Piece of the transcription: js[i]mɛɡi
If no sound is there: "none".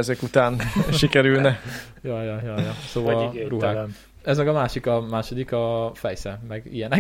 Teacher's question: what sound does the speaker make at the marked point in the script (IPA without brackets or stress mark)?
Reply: ɛ